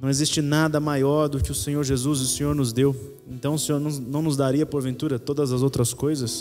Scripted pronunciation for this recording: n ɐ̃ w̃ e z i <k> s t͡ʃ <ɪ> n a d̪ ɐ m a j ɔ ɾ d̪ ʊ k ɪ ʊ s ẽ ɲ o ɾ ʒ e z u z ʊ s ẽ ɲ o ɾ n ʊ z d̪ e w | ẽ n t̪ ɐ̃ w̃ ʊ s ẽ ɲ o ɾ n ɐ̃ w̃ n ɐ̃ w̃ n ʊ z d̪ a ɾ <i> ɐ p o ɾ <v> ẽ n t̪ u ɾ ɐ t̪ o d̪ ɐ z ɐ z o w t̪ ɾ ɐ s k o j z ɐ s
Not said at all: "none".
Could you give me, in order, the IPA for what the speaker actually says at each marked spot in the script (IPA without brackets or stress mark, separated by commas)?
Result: none, ɪ, i, v